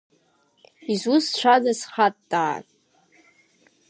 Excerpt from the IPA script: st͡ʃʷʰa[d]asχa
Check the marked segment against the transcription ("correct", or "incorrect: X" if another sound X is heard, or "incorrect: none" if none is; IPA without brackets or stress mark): correct